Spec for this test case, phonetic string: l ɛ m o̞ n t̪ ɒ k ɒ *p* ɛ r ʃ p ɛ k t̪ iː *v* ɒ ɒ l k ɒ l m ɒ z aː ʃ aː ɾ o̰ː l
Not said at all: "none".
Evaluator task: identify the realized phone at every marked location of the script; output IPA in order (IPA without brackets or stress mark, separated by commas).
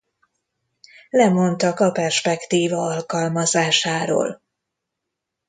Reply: p, v